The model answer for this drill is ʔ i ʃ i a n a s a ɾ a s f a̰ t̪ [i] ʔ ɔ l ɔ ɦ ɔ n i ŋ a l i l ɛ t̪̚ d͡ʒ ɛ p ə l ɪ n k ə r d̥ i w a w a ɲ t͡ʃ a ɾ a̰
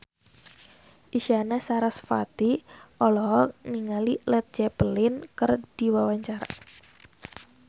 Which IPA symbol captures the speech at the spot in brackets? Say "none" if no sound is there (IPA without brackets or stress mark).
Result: i